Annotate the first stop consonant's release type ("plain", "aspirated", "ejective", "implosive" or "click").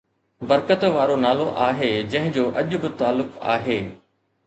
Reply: plain